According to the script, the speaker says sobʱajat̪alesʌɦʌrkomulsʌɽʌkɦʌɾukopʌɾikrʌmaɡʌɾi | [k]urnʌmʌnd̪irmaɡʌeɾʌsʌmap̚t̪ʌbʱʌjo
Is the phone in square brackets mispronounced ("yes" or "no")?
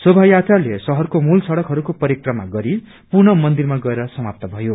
yes